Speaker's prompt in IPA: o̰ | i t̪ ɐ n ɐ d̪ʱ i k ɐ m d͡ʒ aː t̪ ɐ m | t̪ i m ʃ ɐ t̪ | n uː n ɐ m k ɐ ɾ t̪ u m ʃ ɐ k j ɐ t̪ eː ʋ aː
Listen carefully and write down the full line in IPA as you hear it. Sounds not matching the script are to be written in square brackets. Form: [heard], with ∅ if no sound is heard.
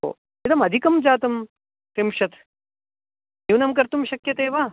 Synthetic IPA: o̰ | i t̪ ɐ [m] ɐ d̪ʱ i k ɐ m d͡ʒ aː t̪ ɐ m | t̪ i m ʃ ɐ t̪ | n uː n ɐ m k ɐ ɾ t̪ u m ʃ ɐ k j ɐ t̪ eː ʋ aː